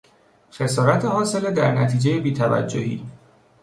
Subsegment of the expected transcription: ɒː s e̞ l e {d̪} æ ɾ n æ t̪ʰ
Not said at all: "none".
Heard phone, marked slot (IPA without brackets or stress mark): d̪